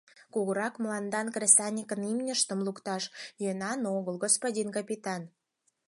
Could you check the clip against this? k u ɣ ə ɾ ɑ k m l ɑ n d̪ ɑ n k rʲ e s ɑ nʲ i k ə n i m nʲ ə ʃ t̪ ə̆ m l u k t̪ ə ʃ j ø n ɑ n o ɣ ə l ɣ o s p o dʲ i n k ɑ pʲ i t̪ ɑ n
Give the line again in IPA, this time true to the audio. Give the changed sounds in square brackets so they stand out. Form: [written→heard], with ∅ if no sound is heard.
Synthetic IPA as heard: k u ɣ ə ɾ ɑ k m l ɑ n d̪ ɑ n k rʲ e s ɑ nʲ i k ə n i m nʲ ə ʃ t̪ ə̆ m l u k t̪ [ə→ɑ] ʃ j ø n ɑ n o ɣ ə l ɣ o s p o dʲ i n k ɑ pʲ i t̪ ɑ n